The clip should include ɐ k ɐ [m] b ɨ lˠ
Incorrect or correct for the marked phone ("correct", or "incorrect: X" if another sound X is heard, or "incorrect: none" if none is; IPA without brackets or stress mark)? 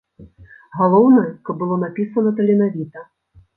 incorrect: b